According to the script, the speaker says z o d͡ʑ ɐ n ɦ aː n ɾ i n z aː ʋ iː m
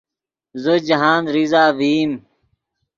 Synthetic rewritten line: z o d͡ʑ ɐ ɦ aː n ɾ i z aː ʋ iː m